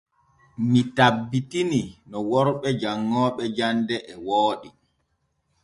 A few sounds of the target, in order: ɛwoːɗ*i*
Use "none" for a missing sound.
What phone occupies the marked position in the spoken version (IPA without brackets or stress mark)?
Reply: i